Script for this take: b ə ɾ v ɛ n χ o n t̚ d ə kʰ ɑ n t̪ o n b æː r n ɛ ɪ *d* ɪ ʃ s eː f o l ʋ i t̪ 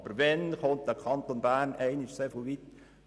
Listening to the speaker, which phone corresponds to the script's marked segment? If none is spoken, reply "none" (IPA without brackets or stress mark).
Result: n